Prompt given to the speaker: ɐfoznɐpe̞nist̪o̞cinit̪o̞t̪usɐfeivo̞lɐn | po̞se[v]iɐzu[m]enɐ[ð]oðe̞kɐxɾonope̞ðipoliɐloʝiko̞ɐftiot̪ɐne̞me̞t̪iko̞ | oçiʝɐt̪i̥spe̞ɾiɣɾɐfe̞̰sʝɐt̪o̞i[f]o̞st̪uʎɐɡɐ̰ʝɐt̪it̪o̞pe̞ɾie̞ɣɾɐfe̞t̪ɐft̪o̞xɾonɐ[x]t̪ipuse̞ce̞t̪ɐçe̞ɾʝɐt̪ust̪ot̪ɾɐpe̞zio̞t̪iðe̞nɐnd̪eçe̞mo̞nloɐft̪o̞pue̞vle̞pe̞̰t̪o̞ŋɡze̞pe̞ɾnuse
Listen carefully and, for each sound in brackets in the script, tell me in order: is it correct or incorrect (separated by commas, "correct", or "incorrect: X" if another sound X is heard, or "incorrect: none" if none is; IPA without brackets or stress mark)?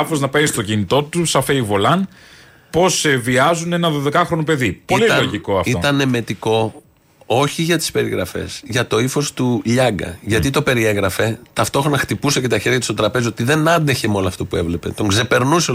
correct, incorrect: n, correct, correct, correct